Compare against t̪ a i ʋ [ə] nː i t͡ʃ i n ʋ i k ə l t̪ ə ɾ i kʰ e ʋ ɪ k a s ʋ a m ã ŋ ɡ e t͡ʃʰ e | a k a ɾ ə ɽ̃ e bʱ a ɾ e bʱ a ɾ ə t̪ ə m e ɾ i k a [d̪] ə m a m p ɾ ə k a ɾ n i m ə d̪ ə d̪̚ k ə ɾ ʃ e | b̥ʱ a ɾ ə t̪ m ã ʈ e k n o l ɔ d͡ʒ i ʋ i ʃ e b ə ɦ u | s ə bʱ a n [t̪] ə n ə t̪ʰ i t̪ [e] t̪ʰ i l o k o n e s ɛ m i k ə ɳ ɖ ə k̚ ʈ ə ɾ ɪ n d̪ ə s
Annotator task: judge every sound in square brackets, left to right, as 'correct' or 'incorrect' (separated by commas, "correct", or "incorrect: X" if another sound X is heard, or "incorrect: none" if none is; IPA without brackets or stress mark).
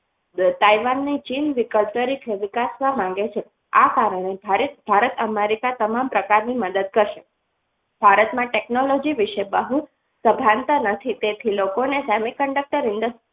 incorrect: a, incorrect: t̪, correct, correct